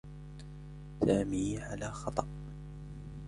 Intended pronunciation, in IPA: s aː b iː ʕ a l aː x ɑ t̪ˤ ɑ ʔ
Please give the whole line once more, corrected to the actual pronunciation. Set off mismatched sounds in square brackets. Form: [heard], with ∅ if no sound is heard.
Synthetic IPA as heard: s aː [m] iː ʕ a l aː x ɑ t̪ˤ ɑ ʔ